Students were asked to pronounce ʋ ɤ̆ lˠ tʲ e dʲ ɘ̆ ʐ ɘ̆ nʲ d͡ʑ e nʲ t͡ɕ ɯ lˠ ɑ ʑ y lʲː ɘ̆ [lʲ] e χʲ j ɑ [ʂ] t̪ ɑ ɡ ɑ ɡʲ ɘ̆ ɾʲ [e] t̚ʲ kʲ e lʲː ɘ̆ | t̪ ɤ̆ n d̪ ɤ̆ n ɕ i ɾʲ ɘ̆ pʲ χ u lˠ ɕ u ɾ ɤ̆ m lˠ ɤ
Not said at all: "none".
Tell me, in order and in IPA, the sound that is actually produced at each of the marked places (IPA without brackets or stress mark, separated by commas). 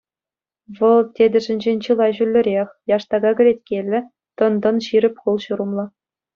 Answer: ɾʲ, ʂ, e